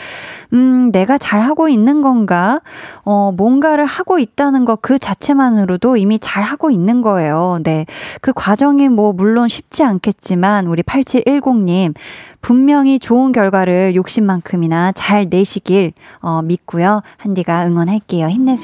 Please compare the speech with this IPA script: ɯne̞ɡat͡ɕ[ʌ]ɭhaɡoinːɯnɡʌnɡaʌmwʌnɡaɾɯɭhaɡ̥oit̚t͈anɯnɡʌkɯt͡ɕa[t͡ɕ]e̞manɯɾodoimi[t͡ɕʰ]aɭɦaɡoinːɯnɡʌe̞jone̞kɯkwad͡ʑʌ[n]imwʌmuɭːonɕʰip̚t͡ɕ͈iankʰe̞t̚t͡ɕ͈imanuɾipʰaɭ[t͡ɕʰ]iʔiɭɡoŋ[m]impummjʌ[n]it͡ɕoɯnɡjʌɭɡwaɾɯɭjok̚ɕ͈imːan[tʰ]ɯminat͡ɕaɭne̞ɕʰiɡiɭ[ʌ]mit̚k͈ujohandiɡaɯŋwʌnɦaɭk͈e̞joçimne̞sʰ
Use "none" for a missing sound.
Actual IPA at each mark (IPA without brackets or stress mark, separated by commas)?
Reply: a, t͡ɕʰ, t͡ɕ, ŋ, t͡ɕʰ, ɲ, ŋ, kʰ, ʌ